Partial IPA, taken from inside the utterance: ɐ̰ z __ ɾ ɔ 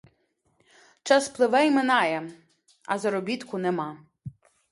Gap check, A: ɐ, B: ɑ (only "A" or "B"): A